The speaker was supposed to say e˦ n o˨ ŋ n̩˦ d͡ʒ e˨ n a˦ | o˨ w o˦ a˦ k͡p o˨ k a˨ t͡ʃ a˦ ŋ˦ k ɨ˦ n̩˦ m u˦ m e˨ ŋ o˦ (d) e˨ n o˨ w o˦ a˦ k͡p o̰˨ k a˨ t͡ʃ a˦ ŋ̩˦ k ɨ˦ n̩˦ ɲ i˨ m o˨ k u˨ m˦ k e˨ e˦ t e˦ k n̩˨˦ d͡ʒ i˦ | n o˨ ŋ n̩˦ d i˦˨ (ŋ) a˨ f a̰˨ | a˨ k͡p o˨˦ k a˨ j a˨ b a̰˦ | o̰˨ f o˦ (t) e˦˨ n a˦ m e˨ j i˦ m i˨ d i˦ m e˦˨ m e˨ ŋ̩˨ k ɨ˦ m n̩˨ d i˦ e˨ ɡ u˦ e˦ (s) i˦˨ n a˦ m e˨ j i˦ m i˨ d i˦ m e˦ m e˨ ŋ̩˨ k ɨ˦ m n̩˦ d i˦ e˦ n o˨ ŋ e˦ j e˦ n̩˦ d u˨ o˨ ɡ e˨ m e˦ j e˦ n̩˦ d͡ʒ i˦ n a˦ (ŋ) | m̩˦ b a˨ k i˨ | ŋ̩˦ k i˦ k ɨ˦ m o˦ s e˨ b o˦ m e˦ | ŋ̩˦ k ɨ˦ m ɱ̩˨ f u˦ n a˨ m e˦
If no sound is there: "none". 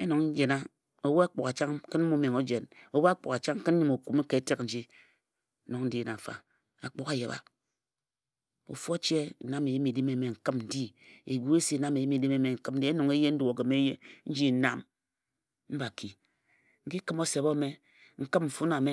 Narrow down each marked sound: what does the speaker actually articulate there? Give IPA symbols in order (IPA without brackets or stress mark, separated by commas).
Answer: d͡ʒ, n, t͡ʃ, s, m